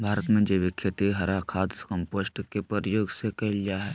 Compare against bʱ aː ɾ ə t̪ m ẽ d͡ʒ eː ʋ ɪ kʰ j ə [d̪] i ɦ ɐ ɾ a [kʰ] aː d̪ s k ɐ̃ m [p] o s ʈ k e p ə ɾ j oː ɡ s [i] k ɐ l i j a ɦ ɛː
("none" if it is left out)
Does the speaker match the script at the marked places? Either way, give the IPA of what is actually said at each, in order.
t̪, kʰ, p, e

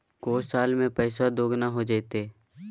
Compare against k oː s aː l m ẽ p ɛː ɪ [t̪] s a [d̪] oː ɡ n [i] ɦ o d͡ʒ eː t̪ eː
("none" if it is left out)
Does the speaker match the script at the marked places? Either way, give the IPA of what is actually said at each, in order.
none, d̪, a

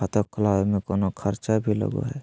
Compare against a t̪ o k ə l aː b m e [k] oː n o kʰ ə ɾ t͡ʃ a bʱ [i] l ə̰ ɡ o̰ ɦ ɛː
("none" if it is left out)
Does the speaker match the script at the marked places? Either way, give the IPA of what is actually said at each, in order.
k, i

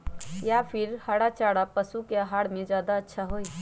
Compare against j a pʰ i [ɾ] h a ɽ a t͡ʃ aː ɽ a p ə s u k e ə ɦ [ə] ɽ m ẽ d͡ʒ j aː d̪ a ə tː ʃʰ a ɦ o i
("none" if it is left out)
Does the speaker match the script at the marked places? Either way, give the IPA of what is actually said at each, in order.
ɾ, a

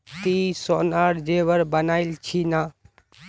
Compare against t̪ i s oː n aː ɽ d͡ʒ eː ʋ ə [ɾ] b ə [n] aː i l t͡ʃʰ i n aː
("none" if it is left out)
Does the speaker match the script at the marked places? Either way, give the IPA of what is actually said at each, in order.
ɾ, n

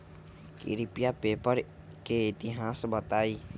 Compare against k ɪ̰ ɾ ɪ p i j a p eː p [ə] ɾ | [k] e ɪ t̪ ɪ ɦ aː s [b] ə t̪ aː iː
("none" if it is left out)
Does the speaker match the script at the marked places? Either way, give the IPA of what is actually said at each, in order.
ə, k, b

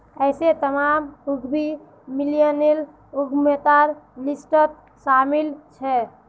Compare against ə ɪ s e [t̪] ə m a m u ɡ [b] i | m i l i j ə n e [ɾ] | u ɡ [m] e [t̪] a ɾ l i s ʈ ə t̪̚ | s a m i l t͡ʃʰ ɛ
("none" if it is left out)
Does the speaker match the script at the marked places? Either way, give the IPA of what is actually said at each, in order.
t̪, b, l, m, t̪

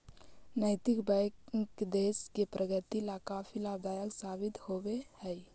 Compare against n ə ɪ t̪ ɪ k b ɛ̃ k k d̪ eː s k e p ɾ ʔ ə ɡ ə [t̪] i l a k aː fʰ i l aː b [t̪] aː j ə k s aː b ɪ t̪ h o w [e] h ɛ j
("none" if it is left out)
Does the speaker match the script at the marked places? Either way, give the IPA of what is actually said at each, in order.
t̪, d̪, e

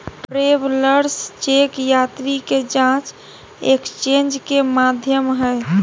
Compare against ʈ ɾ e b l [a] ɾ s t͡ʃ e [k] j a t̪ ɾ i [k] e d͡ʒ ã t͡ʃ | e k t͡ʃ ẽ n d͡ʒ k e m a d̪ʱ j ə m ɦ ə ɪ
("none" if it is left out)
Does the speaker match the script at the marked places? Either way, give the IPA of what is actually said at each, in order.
ə, k, k

